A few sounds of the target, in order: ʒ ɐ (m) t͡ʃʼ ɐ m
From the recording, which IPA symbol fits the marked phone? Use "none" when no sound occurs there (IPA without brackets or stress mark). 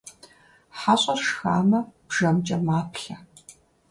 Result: m